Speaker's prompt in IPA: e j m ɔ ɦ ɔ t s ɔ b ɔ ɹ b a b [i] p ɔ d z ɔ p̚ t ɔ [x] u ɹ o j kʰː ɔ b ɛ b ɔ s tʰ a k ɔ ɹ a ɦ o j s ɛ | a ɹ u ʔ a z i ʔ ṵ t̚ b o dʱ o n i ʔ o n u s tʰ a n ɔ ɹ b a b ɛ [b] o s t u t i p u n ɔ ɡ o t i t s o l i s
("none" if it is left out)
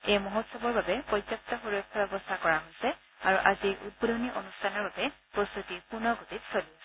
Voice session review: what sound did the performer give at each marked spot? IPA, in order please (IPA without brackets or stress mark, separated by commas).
ɛ, x, p